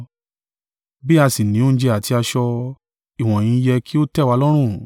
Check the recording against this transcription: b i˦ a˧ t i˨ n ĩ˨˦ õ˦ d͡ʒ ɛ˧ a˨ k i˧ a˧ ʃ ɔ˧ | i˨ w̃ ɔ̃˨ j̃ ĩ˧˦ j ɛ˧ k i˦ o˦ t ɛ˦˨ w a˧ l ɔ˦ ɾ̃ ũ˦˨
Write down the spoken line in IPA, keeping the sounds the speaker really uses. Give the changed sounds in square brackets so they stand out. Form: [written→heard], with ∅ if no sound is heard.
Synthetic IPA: b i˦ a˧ [t→s] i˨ n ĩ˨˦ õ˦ d͡ʒ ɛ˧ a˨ [k→t] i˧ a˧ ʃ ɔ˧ | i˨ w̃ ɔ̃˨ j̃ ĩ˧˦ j ɛ˧ k i˦ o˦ t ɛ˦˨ w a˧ l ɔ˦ ɾ̃ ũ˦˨